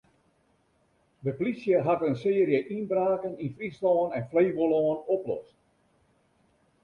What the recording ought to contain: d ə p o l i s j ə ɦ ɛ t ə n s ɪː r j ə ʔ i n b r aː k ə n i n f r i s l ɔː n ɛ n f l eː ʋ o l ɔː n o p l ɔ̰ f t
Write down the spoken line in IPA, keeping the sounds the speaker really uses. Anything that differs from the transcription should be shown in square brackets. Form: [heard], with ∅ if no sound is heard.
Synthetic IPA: d ə p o l i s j ə ɦ [a] t ə n s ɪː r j ə ʔ i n b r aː k ə n i n f r i s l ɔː n ɛ n f l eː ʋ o l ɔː n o p l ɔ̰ [s] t